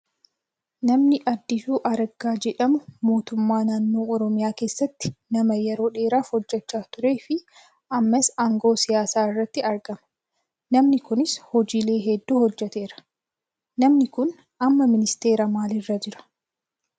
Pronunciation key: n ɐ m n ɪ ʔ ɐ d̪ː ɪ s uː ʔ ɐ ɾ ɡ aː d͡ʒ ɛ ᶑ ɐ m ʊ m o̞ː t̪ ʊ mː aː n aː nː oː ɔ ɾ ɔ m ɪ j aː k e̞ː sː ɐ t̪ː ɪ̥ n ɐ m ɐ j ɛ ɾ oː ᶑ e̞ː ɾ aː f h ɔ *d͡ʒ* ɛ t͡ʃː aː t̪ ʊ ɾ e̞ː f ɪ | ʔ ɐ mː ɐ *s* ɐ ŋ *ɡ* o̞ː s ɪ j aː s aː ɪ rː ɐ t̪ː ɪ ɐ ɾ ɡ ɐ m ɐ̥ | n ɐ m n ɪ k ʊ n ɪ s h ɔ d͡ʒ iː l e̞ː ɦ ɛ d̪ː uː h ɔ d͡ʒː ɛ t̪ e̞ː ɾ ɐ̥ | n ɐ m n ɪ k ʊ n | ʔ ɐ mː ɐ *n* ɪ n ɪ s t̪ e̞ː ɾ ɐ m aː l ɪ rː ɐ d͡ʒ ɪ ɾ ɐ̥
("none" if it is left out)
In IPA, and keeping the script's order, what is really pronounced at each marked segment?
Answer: d͡ʒː, s, ɡ, m

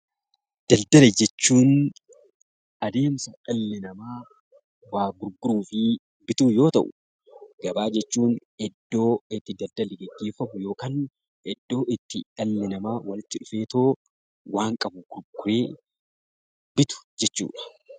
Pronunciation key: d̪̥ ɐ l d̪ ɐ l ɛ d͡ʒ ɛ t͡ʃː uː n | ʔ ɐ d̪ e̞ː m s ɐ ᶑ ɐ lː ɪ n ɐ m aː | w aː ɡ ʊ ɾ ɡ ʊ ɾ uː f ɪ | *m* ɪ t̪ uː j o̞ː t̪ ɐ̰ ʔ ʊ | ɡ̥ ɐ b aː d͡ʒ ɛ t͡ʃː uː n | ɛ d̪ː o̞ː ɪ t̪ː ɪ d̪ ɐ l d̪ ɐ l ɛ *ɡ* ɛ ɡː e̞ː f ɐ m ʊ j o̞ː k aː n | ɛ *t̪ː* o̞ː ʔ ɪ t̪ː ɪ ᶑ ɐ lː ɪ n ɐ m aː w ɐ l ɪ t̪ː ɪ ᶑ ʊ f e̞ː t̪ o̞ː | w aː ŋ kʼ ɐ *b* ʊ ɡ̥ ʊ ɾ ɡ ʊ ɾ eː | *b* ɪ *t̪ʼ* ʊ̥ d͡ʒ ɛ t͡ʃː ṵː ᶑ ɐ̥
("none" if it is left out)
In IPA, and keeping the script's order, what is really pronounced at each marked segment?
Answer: b, ɡ, d̪ː, b, b, t̪

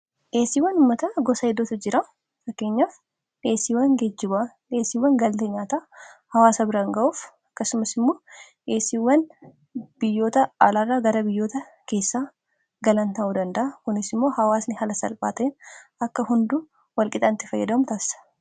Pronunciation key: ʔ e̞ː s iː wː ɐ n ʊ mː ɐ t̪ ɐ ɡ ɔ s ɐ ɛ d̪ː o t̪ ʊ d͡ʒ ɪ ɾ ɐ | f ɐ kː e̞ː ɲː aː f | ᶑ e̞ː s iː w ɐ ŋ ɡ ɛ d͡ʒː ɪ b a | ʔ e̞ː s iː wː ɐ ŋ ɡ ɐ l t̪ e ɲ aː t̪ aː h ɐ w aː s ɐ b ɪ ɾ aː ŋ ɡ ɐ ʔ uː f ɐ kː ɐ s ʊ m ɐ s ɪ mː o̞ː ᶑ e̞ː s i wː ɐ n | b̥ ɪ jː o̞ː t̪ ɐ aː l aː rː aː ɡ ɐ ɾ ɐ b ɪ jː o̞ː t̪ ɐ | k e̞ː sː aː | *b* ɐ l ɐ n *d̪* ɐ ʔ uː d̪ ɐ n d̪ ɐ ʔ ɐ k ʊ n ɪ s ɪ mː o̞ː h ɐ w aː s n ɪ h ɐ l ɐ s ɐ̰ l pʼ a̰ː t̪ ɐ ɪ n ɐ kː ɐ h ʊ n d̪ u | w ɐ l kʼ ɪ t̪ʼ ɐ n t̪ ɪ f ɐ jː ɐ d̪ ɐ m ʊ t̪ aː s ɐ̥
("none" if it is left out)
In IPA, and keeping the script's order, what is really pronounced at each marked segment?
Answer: ɡ, t̪

